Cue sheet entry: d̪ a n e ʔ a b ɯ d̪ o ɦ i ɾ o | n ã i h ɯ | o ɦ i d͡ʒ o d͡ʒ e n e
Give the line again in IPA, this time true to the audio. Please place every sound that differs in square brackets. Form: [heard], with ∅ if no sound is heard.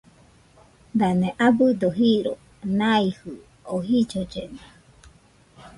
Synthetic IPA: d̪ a n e ʔ a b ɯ d̪ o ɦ i ɾ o | n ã i h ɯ | o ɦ i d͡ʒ o d͡ʒ e n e